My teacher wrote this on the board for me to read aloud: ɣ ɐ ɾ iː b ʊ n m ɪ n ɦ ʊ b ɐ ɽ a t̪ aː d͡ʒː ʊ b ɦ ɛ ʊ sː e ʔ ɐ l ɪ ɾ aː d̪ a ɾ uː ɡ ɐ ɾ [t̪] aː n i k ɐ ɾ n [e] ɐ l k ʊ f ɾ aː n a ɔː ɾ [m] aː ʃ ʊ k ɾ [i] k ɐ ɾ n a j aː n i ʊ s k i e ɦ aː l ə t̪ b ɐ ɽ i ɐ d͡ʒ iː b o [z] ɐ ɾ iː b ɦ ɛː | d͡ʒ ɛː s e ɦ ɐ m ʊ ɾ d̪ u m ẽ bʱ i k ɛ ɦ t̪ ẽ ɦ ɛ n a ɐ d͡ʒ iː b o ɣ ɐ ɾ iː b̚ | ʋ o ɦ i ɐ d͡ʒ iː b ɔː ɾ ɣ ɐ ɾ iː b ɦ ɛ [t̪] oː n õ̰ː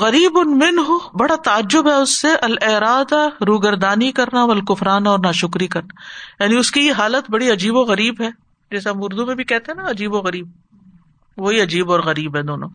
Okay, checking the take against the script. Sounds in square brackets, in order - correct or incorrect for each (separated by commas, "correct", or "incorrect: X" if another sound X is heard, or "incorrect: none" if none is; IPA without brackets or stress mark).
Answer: incorrect: d̪, incorrect: a, incorrect: n, correct, incorrect: ɣ, incorrect: d̪